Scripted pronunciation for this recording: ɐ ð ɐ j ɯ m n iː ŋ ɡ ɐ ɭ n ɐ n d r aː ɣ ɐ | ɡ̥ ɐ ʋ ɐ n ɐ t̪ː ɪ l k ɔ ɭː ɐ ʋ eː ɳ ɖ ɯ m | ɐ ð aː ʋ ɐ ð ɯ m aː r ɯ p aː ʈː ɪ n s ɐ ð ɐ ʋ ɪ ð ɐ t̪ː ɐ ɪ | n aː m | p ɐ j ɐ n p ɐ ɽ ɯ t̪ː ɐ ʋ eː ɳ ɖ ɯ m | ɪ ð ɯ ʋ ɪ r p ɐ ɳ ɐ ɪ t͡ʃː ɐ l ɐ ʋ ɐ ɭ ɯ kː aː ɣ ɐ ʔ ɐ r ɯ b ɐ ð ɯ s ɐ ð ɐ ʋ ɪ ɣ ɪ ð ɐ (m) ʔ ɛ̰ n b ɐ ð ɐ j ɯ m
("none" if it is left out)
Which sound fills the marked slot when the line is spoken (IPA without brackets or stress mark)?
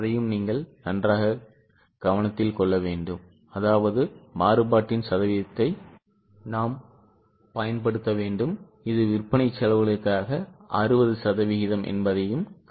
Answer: m